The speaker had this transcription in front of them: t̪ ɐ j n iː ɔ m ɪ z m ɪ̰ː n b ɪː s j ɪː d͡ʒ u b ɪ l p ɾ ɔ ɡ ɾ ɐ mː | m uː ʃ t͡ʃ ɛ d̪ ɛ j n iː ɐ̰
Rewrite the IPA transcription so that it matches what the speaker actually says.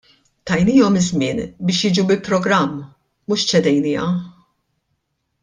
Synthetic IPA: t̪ ɐ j n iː ɔ m ɪ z m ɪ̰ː n b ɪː ʃ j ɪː d͡ʒ u b ɪ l p ɾ ɔ ɡ ɾ ɐ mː | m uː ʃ t͡ʃ ɛ d̪ ɛ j n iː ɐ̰